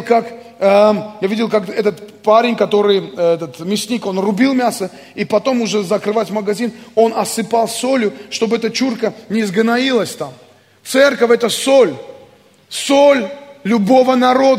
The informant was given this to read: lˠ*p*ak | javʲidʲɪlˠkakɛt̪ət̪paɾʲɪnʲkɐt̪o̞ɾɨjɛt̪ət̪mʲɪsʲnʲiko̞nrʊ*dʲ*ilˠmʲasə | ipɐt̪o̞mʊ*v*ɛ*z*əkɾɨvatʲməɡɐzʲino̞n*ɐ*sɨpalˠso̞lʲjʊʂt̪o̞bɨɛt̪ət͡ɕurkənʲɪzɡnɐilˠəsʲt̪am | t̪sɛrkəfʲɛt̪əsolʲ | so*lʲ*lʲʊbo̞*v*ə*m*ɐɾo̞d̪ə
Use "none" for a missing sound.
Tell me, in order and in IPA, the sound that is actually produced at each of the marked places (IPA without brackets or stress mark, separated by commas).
k, bʲ, ʐ, z, ɐ, lʲ, v, n